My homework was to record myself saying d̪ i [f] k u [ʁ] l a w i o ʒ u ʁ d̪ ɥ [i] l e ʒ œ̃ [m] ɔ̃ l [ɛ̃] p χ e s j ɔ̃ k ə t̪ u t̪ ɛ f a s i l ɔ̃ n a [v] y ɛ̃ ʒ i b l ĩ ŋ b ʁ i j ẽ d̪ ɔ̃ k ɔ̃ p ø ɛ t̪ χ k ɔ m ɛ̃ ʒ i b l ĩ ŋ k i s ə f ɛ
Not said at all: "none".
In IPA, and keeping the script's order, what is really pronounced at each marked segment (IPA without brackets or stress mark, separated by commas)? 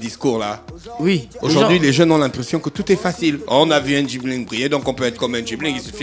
s, ʁ, i, n, ɛ̃, v